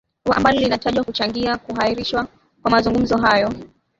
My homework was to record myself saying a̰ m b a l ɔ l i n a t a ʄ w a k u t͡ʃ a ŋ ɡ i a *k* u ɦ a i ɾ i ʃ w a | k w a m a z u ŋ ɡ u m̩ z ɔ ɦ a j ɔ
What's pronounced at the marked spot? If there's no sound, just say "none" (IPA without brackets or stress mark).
k